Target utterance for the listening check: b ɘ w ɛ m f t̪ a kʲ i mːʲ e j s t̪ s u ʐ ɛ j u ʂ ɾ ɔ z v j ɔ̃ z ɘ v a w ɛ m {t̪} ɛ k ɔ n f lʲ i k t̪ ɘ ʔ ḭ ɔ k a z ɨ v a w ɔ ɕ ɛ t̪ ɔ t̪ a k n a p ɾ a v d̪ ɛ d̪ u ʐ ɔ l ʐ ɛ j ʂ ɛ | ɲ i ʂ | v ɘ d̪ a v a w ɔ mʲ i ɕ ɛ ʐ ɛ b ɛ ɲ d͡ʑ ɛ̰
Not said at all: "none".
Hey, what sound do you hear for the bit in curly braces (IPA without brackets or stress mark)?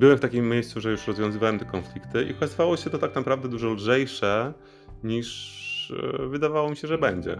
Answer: t̪